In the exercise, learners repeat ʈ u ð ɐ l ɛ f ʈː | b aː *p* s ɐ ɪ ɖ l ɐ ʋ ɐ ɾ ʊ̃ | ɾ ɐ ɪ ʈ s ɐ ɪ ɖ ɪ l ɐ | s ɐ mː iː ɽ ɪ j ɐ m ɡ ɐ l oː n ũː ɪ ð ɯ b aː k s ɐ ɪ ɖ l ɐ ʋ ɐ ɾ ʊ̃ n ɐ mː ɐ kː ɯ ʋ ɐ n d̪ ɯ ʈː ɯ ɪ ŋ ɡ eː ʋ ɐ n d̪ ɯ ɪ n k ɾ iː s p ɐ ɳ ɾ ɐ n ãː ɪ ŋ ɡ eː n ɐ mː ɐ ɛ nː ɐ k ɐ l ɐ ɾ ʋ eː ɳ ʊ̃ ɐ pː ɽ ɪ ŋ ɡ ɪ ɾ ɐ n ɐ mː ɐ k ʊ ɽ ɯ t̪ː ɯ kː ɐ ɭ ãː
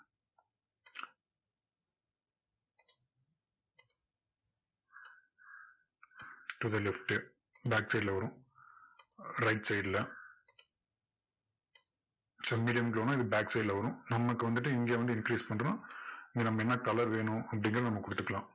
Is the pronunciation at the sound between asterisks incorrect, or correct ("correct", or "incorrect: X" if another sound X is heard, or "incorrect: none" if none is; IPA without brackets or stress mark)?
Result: incorrect: k